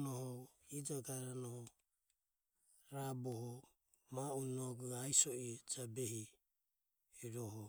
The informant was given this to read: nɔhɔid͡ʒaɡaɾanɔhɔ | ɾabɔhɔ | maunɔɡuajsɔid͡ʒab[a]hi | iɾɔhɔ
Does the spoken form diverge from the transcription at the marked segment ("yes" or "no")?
yes